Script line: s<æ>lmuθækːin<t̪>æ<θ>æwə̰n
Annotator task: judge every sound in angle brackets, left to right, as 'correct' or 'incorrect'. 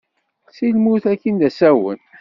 incorrect: i, incorrect: d̪, incorrect: s

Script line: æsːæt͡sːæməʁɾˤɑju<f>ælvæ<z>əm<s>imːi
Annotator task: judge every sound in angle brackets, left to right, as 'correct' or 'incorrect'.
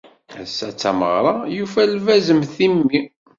correct, correct, incorrect: θ

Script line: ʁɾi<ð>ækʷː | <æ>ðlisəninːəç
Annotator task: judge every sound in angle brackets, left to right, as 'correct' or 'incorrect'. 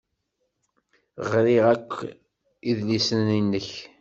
incorrect: ʁ, incorrect: i

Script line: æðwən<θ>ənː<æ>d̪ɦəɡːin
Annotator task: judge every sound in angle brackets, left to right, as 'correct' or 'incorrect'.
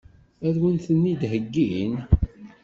correct, incorrect: i

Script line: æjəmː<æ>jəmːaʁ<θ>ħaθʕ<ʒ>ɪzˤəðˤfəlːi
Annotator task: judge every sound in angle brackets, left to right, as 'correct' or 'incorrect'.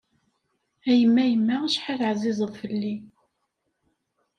correct, incorrect: ʃ, incorrect: z

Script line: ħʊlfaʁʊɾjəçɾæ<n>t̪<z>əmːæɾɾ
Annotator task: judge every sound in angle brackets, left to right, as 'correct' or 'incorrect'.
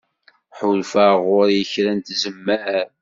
correct, correct

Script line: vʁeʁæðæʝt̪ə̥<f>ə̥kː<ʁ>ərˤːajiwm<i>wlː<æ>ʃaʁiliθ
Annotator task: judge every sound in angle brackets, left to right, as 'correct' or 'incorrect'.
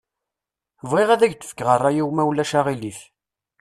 correct, correct, incorrect: æ, correct

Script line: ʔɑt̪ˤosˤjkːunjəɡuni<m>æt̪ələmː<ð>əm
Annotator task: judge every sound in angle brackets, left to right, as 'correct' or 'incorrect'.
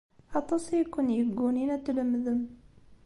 incorrect: n, correct

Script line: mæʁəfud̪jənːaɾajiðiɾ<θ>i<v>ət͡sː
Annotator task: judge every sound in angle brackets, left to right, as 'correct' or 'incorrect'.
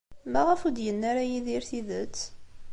correct, incorrect: ð

